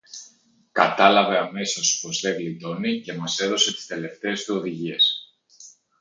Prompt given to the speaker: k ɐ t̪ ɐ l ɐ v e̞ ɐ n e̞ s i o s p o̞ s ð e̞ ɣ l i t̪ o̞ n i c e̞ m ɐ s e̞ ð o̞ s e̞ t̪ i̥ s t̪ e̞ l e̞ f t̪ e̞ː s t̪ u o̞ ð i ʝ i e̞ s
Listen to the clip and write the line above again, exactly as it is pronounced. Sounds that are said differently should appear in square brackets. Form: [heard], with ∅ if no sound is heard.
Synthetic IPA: k ɐ t̪ ɐ l ɐ v e̞ ɐ [m] e̞ s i o s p o̞ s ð e̞ ɣ l i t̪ o̞ n i c e̞ m ɐ s e̞ ð o̞ s e̞ t̪ i̥ s t̪ e̞ l e̞ f t̪ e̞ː s t̪ u o̞ ð i ʝ i e̞ s